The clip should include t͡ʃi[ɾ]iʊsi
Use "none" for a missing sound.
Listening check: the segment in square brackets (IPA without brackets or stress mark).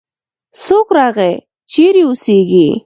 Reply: ɾ